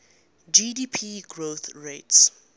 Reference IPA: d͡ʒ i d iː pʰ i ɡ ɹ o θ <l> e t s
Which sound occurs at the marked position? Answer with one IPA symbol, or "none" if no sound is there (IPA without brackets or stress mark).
ɹ